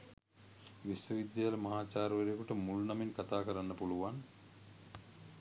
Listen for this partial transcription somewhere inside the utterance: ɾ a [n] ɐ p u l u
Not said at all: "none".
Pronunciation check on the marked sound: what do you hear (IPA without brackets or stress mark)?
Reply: nː